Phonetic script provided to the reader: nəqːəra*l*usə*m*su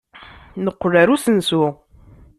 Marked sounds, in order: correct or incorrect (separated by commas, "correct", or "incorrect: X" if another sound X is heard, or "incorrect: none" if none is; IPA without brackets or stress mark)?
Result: incorrect: ɾ, incorrect: n